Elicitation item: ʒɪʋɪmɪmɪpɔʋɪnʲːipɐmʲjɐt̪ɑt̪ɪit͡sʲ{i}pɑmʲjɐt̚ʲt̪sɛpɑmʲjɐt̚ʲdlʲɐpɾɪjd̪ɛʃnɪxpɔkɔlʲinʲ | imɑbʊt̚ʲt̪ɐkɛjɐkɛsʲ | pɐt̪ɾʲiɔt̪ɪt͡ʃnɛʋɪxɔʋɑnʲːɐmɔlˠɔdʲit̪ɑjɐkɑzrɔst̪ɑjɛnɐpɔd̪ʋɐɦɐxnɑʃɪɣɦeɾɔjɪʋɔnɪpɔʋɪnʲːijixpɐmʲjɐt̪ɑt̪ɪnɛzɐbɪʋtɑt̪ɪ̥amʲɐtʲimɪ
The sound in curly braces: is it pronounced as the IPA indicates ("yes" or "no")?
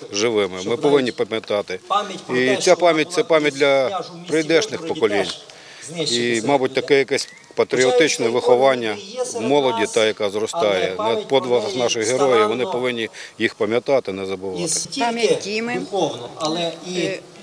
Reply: no